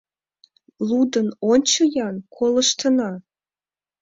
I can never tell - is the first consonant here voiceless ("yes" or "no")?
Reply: no